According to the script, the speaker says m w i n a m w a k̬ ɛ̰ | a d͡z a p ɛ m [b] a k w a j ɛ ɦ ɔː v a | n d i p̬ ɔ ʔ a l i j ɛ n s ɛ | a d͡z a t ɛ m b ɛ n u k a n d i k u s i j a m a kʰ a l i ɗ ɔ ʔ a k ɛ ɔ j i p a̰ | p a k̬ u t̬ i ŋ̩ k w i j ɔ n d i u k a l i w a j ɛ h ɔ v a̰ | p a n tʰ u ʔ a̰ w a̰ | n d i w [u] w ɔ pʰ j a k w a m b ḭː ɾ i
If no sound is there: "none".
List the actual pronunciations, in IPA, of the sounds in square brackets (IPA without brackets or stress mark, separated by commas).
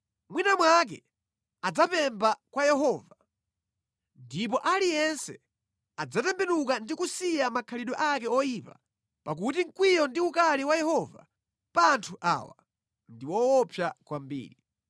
b, ɔ